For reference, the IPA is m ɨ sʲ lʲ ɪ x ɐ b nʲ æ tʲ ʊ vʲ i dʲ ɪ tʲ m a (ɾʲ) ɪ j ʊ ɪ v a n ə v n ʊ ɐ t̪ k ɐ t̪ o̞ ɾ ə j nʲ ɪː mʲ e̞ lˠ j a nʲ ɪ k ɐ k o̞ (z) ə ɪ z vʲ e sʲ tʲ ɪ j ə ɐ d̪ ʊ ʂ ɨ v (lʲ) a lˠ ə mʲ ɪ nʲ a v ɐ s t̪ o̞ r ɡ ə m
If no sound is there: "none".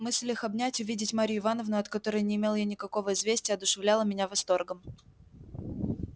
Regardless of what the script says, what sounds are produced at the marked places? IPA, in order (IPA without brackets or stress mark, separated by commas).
ɾʲ, v, lʲ